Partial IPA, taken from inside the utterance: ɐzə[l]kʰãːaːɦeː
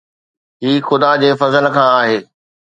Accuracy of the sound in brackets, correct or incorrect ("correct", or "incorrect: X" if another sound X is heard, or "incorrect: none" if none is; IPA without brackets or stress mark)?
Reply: correct